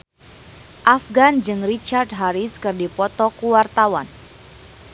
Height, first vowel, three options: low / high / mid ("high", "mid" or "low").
low